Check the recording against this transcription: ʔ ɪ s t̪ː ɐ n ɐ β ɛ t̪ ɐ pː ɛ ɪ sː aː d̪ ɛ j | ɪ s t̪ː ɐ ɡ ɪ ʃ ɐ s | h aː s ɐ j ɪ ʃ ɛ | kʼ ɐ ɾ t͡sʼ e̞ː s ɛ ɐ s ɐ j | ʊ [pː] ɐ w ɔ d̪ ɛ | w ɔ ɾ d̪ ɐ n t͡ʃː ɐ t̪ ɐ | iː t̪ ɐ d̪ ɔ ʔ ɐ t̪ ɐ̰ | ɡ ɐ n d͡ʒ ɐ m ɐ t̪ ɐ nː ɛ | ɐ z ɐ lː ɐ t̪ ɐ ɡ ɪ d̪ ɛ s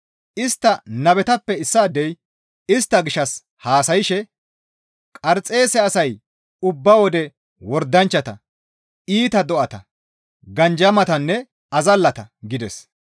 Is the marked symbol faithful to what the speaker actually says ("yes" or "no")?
no